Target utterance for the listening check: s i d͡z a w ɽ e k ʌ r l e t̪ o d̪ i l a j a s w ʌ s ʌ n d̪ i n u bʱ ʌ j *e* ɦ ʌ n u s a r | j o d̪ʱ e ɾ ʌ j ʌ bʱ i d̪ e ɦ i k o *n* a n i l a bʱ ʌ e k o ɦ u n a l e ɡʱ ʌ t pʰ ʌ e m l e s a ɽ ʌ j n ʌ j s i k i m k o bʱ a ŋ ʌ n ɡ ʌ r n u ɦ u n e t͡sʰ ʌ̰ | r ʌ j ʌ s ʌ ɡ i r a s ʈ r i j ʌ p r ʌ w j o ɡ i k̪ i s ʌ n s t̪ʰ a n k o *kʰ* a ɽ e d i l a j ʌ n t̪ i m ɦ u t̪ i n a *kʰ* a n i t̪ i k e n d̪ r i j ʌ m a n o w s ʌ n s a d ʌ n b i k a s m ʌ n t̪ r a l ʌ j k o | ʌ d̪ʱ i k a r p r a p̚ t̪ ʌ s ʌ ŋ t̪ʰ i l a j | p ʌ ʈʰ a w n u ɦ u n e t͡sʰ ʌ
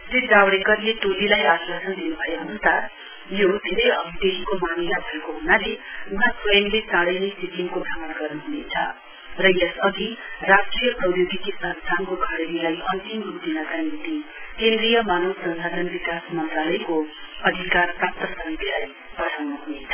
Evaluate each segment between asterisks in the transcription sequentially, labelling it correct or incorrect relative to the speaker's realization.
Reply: correct, incorrect: m, correct, incorrect: k

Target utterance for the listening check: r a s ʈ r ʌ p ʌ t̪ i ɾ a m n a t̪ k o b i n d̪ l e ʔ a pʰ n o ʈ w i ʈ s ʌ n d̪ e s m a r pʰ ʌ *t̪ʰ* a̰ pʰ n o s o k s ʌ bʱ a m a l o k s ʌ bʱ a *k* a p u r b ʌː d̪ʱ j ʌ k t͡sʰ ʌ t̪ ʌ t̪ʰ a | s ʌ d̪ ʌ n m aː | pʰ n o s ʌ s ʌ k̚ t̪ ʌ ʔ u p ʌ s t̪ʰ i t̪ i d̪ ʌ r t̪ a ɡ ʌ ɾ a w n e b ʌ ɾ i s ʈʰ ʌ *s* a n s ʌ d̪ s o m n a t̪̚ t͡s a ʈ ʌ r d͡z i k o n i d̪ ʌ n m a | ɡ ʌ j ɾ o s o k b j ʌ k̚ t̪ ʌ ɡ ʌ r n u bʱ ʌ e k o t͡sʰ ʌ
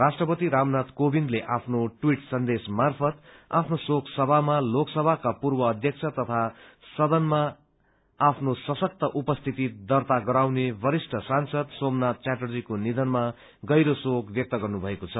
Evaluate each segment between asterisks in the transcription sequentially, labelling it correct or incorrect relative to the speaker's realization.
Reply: incorrect: t̪, correct, correct

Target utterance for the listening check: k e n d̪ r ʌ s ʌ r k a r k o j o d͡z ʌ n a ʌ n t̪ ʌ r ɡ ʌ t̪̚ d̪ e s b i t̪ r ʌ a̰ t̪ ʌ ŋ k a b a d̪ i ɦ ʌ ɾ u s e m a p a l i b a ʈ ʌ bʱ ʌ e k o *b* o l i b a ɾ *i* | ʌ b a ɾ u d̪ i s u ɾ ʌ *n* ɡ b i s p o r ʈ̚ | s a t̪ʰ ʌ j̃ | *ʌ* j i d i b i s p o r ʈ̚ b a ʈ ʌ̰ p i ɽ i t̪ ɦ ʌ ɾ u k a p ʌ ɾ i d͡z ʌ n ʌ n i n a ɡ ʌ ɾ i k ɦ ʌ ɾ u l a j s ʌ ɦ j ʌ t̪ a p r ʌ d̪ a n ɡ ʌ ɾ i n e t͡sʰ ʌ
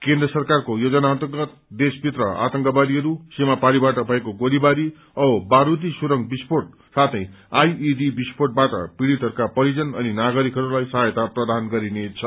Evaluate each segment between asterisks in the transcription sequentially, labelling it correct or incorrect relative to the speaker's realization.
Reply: incorrect: ɡ, correct, incorrect: ŋ, incorrect: a

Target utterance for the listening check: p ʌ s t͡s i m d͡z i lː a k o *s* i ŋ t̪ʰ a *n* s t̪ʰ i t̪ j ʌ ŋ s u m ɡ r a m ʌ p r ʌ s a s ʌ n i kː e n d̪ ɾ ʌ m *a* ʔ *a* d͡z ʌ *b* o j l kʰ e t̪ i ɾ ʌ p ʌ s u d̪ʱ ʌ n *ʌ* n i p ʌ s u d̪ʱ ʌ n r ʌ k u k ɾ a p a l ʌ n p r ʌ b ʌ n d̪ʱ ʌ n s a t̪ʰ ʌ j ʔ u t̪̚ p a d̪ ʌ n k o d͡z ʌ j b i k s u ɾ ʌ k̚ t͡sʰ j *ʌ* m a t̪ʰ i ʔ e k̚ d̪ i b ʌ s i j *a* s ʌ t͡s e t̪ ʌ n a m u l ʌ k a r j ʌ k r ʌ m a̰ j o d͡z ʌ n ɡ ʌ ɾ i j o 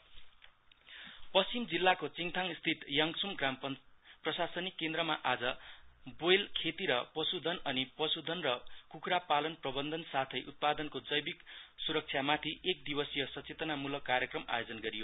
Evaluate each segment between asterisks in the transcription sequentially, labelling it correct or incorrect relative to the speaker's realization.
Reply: incorrect: t͡s, incorrect: ŋ, correct, correct, correct, correct, incorrect: a, incorrect: ʌ

